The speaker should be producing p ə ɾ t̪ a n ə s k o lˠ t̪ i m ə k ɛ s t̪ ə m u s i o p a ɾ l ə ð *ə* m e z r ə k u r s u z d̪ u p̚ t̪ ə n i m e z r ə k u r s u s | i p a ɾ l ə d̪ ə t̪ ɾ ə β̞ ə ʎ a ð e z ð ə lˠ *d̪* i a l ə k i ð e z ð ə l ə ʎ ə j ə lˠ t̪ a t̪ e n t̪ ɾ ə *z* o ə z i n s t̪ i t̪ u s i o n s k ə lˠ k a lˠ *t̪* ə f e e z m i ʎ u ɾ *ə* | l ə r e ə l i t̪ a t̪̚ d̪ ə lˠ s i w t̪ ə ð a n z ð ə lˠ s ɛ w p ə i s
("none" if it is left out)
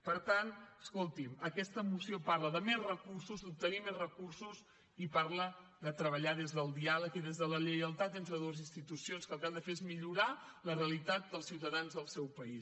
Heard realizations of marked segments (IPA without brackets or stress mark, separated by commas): ə, d̪, ð, d̪, a